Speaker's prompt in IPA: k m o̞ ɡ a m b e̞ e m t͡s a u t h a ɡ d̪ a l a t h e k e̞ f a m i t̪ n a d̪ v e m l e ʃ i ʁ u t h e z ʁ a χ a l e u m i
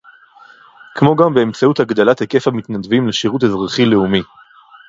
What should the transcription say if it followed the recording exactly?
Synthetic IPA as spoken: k m o̞ ɡ a m b e̞ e m t͡s a u t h a ɡ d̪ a l a t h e k e̞ f a m i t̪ n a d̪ v i m l e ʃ i ʁ u t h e z ʁ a χ i l e u m i